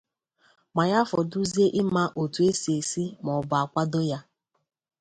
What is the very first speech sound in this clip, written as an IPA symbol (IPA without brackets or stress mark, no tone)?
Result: m